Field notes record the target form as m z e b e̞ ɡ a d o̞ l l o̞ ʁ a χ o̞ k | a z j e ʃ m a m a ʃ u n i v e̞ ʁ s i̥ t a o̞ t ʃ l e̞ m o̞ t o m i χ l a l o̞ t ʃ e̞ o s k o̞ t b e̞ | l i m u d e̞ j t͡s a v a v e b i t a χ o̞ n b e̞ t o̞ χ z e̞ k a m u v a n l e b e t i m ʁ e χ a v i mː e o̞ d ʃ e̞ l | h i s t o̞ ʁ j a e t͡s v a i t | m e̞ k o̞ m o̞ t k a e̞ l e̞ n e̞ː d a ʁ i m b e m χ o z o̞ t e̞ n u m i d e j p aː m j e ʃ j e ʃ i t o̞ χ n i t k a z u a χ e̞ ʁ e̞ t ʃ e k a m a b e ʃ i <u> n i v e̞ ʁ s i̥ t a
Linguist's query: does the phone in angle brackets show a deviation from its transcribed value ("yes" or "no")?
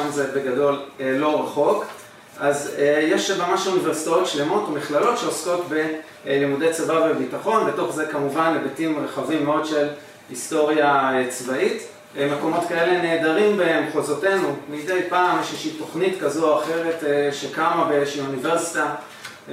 no